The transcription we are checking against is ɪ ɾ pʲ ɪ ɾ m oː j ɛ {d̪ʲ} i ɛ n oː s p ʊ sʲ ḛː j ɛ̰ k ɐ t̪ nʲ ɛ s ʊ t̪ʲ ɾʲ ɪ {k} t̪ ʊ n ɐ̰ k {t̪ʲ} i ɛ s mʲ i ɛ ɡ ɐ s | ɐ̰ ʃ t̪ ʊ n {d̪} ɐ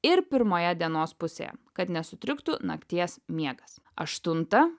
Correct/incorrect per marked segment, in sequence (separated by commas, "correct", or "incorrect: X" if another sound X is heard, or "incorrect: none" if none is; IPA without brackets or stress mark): correct, correct, correct, incorrect: t̪